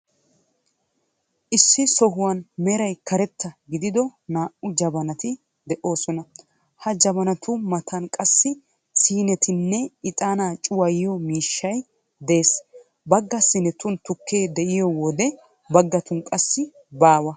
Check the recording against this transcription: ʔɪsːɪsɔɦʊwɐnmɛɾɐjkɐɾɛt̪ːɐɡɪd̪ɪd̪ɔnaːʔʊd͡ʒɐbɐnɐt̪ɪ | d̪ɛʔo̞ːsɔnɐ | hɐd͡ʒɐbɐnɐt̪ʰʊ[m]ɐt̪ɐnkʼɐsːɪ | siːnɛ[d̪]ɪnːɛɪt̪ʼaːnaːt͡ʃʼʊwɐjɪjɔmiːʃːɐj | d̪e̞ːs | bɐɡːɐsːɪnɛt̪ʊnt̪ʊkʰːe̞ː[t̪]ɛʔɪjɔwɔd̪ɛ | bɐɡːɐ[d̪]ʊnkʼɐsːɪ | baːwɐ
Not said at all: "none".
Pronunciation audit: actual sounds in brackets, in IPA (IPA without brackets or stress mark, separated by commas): m, t̪, d̪, t̪